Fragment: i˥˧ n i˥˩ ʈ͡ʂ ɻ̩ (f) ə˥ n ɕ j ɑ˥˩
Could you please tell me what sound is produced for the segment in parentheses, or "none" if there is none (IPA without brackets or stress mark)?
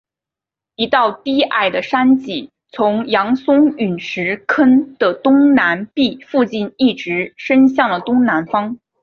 ʂ